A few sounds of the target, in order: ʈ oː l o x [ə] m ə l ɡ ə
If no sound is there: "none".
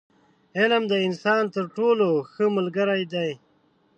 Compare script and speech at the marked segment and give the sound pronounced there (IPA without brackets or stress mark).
ə